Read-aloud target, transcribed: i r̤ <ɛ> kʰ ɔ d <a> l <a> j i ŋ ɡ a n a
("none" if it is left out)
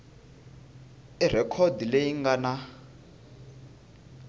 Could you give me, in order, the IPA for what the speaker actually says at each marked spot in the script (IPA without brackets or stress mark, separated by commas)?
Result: ɛ, i, e